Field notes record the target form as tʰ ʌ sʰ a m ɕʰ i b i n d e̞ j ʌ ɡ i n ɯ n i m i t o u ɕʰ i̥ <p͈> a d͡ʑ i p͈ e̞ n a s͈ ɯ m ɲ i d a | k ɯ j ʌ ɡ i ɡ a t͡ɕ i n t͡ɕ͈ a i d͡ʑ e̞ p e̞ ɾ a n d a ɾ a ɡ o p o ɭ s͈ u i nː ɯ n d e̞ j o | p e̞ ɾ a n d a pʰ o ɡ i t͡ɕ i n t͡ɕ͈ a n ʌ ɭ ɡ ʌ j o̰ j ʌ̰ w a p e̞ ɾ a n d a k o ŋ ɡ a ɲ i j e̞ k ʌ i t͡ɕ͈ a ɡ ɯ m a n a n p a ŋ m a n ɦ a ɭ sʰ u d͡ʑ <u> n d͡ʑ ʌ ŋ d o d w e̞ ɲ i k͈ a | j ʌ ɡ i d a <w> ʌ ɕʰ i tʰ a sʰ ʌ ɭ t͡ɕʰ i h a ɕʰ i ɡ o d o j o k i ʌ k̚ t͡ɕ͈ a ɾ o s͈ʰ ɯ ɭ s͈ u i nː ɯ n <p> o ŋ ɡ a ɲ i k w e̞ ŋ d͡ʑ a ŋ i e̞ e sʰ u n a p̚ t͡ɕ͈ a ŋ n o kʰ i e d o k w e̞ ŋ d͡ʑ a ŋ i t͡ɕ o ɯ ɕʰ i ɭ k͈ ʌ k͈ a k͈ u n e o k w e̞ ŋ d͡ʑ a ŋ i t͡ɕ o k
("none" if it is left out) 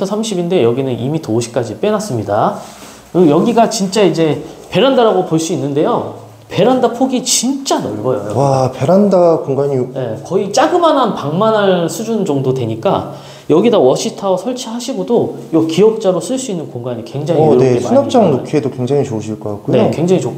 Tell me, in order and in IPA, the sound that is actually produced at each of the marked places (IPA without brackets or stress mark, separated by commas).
k͈, u, w, k